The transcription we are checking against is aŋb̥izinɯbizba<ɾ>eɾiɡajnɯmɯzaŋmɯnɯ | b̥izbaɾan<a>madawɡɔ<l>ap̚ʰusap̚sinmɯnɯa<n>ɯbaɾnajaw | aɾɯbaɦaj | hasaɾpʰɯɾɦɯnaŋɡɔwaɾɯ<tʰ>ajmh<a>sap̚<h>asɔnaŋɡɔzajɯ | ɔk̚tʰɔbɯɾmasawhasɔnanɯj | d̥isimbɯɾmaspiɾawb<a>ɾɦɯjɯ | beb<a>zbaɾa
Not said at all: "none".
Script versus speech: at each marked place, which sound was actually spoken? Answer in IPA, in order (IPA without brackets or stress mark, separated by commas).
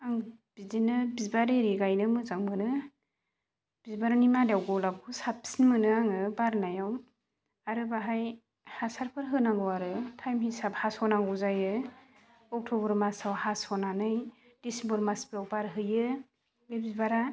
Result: ɾ, i, l, ŋ, tʰ, i, h, a, i